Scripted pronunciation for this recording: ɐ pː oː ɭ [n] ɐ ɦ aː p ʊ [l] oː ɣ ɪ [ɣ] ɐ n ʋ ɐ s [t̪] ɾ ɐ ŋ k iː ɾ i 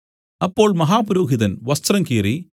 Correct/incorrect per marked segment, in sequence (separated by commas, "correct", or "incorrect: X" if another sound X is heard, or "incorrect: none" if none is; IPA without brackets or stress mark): incorrect: m, incorrect: ɾ, incorrect: ð, correct